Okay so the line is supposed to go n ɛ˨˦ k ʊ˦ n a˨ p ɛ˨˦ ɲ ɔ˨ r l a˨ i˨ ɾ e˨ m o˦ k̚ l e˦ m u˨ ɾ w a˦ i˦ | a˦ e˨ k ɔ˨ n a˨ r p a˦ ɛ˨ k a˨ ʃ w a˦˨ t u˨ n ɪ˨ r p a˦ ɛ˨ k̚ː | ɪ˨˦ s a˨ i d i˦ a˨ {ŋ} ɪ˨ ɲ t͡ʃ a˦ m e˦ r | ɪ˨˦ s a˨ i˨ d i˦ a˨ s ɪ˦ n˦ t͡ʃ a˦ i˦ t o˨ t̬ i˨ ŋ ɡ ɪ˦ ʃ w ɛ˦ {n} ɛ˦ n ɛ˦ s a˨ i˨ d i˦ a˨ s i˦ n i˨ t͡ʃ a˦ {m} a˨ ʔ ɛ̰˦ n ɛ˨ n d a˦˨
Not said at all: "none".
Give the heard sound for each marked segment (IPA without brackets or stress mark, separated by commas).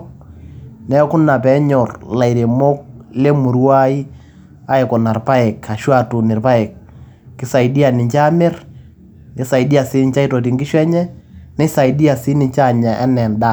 n, ɲ, ɲ